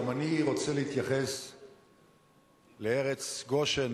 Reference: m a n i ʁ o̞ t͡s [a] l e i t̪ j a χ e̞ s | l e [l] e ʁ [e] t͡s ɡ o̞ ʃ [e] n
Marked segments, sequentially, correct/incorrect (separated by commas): incorrect, incorrect, correct, correct